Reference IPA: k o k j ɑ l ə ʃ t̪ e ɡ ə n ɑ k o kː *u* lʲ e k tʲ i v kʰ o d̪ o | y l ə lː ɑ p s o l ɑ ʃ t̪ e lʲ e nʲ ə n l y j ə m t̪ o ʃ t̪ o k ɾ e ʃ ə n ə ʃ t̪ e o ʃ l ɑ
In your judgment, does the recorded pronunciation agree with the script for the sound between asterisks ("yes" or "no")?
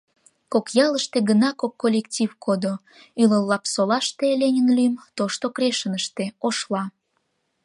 no